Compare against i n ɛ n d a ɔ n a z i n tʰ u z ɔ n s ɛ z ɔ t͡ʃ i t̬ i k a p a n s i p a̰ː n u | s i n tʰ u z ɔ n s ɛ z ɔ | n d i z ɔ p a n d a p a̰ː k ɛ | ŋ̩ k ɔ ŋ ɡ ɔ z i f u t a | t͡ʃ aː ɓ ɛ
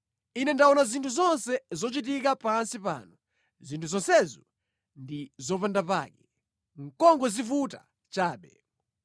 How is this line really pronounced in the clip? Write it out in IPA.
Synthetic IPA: i n ɛ n d a ɔ n a z i n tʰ u z ɔ n s ɛ z ɔ t͡ʃ i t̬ i k a p a n s i p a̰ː n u | z i n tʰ u z ɔ n s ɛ z ɔ | n d i z ɔ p a n d a p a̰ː k ɛ | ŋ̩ k ɔ ŋ ɡ ɔ z i f u t a | t͡ʃ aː ɓ ɛ